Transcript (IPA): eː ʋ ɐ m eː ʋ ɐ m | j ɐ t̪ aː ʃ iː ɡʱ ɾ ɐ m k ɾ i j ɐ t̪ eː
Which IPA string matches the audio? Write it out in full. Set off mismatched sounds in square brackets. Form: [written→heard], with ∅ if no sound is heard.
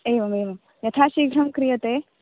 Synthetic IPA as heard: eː ʋ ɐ m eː ʋ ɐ m | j ɐ [t̪→t̪ʰ] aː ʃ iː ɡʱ ɾ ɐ m k ɾ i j ɐ t̪ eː